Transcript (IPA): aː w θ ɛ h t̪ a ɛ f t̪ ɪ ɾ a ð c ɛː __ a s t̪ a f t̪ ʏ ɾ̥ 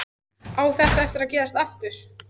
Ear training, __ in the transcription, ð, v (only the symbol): ð